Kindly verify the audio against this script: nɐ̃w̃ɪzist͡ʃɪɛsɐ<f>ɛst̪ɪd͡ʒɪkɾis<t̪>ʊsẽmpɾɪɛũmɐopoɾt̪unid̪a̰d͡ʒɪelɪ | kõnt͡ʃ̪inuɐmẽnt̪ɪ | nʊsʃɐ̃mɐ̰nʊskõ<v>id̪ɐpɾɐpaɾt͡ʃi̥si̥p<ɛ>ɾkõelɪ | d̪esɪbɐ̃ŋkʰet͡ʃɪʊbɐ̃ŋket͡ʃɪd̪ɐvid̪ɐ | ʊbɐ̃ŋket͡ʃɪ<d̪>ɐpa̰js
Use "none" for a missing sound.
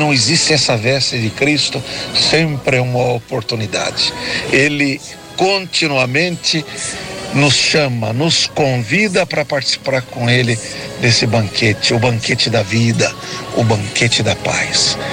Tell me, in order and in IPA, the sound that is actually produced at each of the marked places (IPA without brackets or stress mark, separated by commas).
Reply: v, t̪, v, a, d̪